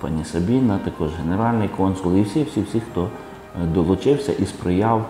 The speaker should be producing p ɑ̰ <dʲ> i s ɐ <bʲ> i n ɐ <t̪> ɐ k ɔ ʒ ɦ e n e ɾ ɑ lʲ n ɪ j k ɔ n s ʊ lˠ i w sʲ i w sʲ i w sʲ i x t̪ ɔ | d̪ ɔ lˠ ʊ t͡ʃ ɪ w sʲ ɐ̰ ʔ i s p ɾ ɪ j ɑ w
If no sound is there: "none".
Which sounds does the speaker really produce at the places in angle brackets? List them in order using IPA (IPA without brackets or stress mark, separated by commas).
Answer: nʲ, bʲ, t̪